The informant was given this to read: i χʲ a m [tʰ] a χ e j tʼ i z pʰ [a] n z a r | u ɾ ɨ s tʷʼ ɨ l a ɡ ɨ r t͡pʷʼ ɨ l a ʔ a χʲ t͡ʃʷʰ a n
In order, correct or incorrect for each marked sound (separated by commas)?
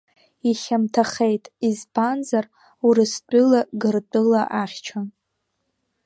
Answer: correct, correct